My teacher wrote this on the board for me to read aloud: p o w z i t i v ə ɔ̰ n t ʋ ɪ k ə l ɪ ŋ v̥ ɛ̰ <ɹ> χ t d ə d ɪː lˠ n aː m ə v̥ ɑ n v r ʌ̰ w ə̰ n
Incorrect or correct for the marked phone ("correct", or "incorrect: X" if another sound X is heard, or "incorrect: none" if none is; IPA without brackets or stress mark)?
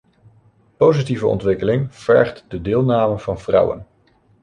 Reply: correct